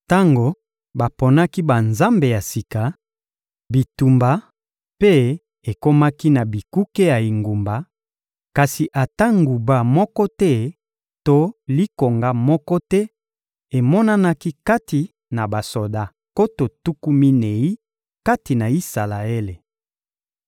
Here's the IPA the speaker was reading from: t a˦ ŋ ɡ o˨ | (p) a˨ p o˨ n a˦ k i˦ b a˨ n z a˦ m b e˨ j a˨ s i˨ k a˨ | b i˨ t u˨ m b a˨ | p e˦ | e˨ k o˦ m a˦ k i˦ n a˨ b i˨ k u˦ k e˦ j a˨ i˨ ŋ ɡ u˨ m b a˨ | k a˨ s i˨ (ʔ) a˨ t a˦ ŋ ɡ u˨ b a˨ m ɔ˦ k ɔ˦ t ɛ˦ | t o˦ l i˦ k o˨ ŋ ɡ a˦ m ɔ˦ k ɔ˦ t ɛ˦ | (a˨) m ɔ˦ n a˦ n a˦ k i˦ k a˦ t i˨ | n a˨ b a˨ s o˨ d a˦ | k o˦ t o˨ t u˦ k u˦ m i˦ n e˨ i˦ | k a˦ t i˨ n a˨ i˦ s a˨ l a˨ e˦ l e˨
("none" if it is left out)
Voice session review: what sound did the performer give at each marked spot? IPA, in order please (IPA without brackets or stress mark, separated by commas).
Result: b, ʔ, e˨